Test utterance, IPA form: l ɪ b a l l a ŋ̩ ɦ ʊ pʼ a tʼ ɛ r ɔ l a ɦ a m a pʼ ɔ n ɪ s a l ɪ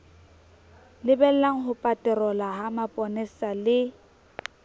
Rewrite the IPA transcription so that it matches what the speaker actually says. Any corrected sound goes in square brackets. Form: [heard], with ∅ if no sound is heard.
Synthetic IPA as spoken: l ɪ b [ɛ] l l a ŋ̩ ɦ ʊ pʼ a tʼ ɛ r ɔ l a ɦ a m a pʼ ɔ n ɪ s a l ɪ